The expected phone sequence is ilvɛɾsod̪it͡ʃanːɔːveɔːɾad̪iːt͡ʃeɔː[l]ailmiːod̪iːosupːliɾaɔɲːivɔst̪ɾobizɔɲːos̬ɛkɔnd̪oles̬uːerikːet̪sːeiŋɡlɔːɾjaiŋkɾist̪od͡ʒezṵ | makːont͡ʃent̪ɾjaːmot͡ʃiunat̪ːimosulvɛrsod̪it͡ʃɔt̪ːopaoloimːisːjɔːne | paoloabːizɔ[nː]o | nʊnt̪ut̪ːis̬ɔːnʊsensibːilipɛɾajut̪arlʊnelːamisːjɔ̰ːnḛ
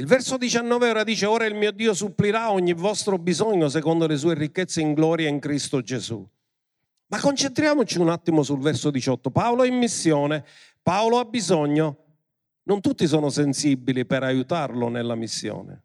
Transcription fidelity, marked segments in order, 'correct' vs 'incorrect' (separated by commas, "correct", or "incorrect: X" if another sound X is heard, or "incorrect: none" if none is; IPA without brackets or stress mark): incorrect: ɾ, incorrect: ɲː